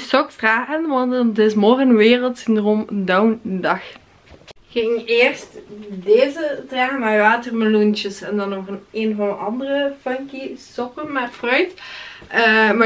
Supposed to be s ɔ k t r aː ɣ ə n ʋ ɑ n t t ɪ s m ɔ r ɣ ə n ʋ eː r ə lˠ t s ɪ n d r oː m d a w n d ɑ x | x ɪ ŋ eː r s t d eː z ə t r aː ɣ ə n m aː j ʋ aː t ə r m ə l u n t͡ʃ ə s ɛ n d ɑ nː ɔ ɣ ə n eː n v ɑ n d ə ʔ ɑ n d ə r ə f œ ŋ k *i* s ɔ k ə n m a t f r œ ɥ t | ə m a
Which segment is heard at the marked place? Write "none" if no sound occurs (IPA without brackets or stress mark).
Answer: i